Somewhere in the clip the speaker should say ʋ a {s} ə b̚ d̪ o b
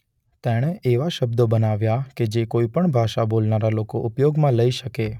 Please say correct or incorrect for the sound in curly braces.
incorrect